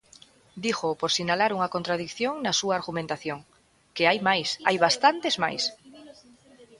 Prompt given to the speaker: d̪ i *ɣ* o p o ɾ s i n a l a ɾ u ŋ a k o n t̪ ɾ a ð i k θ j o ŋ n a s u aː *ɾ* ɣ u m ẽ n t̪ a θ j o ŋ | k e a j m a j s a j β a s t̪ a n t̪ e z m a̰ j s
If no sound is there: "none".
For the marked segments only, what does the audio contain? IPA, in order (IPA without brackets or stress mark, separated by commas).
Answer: x, ɾ